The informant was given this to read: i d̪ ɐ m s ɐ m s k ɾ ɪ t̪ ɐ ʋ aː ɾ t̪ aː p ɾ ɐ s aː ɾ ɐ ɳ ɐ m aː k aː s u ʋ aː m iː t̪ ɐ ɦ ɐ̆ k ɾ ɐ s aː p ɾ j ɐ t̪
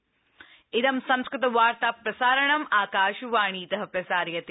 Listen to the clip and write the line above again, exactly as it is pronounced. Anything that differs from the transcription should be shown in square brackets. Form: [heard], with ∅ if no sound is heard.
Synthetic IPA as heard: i d̪ ɐ m s ɐ m s k ɾ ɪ t̪ ɐ ʋ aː ɾ t̪ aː p ɾ ɐ s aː ɾ ɐ ɳ ɐ m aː k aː [ʃ] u ʋ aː [ɳ] iː t̪ ɐ ɦ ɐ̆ [p] ɾ ɐ s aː [∅] ɾ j ɐ t̪